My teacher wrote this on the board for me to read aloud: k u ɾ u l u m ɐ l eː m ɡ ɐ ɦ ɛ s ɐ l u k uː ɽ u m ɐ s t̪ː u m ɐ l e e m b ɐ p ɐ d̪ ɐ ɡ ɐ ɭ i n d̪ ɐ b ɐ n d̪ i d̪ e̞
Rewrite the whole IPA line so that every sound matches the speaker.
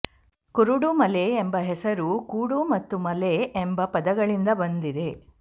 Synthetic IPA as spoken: k u ɾ u ɽ u m ɐ l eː m b ɐ ɦ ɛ s ɐ ɾ u k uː ɽ u m ɐ t̪ː u m ɐ l e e m b ɐ p ɐ d̪ ɐ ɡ ɐ ɭ i n d̪ ɐ b ɐ n d̪ i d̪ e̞